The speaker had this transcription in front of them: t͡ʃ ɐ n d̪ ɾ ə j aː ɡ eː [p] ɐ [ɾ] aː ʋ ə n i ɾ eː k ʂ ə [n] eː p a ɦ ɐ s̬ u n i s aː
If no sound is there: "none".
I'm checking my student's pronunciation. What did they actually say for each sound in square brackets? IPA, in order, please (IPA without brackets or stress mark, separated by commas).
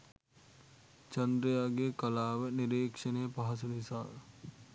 k, l, n